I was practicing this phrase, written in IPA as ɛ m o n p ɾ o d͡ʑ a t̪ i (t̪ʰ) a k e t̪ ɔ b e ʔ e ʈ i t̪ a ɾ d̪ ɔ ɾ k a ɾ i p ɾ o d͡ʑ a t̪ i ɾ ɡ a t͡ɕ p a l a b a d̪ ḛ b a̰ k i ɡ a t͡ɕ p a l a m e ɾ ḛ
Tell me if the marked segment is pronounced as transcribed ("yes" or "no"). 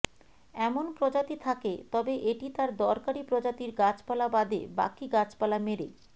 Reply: yes